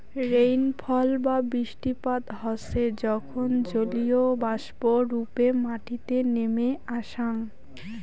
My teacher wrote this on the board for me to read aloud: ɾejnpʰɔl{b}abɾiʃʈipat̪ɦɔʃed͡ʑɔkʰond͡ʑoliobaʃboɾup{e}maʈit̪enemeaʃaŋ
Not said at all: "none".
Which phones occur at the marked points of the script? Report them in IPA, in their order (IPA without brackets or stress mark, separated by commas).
b, e